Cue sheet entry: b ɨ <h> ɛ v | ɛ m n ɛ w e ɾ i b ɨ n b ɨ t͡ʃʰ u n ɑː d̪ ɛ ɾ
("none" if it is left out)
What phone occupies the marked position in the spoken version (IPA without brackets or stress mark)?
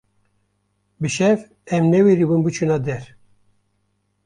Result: ʃ